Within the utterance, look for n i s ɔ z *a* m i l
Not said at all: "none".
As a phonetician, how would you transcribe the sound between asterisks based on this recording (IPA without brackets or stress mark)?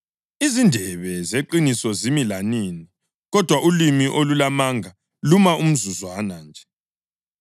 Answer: i